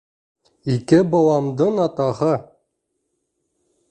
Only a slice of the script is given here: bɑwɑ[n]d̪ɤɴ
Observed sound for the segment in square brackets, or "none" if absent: m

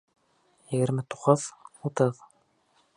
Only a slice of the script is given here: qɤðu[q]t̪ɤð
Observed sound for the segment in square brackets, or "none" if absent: none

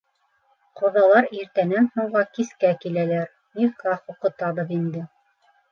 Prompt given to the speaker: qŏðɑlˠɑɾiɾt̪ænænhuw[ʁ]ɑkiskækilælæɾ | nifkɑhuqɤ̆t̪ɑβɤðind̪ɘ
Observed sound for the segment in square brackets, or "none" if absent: ʁ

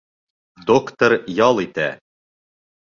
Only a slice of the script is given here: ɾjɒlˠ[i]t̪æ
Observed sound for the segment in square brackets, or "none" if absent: i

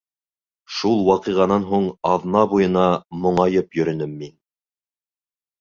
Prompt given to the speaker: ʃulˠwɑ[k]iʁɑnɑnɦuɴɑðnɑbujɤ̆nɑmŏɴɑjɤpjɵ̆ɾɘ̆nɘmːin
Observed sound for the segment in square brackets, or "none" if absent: q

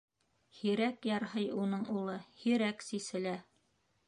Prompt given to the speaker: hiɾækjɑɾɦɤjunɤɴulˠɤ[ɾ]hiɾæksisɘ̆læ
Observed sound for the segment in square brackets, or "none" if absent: none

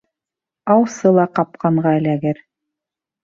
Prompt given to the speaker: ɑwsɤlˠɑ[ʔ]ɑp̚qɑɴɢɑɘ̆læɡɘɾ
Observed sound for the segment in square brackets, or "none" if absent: q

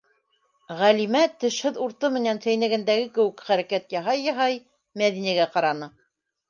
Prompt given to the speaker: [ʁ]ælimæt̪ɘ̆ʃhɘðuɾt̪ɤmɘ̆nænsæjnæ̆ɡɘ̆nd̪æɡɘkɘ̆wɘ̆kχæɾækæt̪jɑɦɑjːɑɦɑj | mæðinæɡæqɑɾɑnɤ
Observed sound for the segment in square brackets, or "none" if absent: ʁ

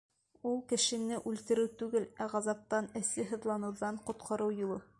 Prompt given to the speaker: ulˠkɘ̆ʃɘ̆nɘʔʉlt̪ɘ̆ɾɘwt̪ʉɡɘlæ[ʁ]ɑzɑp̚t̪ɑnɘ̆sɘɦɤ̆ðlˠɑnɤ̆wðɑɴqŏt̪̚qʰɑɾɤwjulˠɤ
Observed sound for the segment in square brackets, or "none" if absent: ʁ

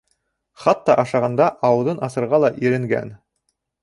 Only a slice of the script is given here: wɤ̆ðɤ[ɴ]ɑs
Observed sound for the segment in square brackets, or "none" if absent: n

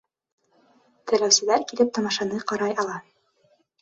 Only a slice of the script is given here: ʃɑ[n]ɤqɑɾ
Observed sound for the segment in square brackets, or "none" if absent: n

